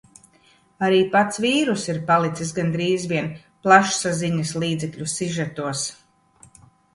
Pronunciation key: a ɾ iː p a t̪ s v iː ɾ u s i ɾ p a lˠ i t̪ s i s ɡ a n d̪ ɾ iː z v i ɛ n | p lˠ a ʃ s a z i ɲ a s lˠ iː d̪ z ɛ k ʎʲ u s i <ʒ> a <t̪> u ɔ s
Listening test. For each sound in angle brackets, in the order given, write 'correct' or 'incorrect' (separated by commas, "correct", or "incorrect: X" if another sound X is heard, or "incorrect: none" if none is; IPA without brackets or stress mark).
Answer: correct, correct